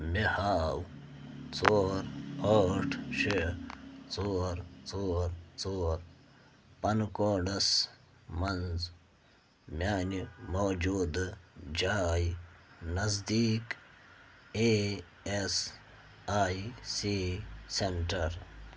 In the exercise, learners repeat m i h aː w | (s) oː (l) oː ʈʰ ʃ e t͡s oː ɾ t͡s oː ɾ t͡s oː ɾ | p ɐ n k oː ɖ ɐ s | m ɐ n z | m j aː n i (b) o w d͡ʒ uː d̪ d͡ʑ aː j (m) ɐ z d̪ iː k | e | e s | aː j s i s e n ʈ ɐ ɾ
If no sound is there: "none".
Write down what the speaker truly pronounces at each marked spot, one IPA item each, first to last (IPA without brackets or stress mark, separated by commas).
t͡s, ɾ, m, n